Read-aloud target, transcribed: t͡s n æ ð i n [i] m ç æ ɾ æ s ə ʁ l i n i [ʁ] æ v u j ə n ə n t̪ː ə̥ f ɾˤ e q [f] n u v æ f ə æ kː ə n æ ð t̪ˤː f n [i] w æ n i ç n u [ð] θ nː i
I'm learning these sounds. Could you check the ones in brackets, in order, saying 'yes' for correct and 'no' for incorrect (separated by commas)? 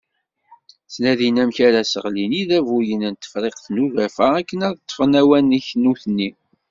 no, no, no, no, no